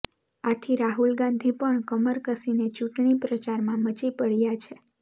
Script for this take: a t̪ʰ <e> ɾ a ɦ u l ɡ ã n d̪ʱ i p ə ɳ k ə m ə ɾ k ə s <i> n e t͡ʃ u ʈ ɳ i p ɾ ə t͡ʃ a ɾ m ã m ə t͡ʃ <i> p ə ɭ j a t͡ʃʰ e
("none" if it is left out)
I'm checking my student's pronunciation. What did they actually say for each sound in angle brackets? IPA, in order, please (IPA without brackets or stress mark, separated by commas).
i, i, i